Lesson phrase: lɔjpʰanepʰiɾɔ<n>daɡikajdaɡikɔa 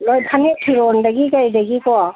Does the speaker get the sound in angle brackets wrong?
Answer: no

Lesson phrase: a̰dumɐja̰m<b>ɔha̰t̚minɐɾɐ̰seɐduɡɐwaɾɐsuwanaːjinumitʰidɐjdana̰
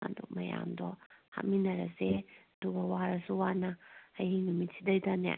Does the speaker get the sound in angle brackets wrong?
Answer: yes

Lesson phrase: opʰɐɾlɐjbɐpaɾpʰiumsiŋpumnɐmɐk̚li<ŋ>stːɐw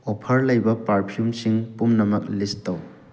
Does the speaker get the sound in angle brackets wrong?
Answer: yes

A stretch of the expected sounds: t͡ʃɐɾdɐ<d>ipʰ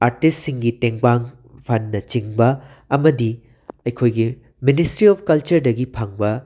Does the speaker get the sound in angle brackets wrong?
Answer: yes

